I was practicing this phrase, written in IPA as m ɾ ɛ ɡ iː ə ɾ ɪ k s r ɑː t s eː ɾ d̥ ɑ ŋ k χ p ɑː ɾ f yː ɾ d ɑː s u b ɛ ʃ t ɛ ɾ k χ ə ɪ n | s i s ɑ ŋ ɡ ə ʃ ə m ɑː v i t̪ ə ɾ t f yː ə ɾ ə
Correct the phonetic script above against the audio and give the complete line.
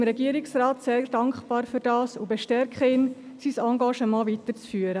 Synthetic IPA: m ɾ ɛ ɡ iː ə ɾ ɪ k s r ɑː t s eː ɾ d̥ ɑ ŋ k χ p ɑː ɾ f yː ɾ d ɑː s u b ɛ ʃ t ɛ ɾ k χ ə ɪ n | s i s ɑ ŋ ɡ ɑ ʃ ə m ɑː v i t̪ ə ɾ t͡s f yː ə ɾ ə